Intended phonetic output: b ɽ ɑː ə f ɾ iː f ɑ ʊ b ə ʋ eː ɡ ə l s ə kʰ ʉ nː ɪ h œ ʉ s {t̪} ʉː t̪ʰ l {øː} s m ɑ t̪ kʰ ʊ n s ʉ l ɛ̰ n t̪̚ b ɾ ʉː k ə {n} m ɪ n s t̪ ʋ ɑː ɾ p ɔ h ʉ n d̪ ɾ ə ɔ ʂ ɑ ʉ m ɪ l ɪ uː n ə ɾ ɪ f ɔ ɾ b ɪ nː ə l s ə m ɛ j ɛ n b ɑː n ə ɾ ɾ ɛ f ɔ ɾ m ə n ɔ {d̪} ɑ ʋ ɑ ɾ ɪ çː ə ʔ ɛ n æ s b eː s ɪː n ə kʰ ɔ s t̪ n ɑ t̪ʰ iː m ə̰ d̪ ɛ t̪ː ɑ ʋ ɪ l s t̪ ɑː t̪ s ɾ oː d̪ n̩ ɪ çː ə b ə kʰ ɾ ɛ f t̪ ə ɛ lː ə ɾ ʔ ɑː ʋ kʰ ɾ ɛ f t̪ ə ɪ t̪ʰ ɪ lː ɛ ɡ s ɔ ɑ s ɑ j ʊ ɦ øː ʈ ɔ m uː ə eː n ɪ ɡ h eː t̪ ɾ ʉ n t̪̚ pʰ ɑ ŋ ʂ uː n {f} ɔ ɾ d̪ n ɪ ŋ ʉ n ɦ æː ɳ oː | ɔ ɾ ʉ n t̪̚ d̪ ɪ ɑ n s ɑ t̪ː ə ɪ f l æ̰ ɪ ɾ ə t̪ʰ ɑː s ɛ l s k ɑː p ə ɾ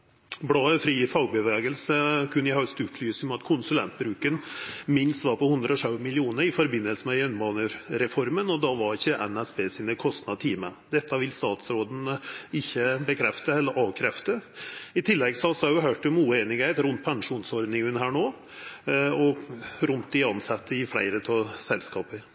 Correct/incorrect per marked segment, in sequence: correct, incorrect: yː, correct, correct, incorrect: s

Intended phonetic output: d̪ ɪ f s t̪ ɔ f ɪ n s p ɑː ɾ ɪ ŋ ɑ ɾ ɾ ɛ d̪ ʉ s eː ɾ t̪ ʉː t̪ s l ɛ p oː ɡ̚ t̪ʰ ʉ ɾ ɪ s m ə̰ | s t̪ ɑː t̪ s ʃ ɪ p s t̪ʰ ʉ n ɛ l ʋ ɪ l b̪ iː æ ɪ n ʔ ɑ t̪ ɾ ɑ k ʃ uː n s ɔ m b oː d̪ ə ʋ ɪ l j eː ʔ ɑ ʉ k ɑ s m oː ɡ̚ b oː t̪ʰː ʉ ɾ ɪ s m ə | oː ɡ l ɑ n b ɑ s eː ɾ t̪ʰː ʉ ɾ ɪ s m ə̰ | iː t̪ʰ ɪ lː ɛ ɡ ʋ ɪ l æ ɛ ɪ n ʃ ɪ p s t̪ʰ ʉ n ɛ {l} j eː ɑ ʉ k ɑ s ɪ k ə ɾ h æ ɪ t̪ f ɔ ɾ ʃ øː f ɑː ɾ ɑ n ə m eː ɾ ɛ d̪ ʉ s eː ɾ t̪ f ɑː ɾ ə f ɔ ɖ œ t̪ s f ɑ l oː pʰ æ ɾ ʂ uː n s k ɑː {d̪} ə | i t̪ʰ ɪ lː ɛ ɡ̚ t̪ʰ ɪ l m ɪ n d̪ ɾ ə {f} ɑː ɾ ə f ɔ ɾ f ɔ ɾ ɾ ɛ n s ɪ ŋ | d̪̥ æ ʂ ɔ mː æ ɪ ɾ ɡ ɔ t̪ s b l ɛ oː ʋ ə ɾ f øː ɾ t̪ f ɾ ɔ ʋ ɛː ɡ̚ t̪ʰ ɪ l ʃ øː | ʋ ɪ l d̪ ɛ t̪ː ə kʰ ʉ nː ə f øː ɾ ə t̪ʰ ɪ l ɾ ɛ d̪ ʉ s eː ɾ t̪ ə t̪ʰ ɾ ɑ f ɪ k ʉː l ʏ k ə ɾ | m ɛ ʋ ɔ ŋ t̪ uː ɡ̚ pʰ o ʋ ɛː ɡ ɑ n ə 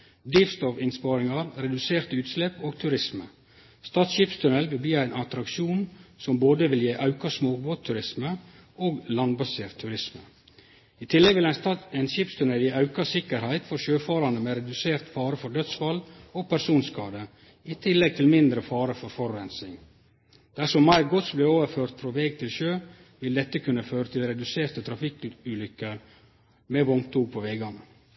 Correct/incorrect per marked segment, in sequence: correct, correct, correct

